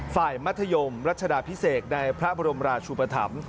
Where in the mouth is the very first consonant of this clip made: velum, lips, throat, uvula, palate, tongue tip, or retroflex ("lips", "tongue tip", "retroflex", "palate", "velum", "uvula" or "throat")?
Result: lips